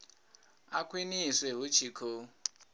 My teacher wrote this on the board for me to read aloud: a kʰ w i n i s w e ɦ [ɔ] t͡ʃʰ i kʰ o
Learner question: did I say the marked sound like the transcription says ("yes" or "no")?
no